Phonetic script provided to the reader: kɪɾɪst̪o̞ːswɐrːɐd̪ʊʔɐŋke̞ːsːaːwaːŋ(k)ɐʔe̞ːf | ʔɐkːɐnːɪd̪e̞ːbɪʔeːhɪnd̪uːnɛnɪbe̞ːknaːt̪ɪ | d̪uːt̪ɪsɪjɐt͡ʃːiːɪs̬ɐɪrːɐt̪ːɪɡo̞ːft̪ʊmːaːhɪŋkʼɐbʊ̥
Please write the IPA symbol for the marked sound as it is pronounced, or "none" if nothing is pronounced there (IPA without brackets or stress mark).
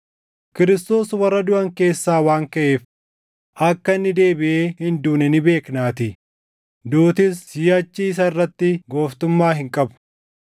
k